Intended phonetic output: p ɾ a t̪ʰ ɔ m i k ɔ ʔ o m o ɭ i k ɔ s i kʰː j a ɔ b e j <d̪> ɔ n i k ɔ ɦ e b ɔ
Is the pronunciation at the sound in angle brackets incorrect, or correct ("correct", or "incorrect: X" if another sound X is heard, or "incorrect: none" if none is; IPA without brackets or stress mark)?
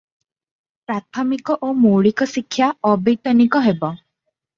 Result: incorrect: t̪